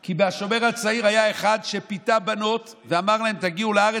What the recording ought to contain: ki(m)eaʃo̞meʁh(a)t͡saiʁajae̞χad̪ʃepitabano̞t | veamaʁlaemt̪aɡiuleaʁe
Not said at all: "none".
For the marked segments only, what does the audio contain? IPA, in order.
b, a

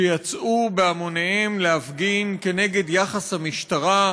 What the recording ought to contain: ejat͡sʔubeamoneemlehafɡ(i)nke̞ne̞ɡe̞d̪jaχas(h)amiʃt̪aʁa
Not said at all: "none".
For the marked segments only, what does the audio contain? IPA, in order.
i, h

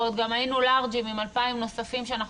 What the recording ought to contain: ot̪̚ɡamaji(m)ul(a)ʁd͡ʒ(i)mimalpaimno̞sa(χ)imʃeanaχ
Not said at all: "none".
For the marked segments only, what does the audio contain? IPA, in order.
n, a, i, f

